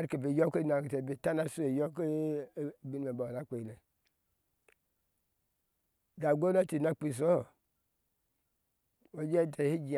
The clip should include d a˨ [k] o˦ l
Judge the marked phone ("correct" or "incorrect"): incorrect